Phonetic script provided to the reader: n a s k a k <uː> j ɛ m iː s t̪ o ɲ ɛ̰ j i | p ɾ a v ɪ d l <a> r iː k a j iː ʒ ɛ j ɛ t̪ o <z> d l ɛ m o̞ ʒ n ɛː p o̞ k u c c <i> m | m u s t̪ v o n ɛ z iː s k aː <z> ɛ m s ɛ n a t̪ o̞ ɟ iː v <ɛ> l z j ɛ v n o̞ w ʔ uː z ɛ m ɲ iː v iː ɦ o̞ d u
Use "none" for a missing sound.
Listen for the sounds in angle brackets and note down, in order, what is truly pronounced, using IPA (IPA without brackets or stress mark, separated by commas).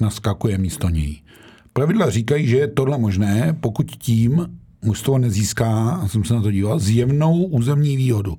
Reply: u, a, none, iː, s, a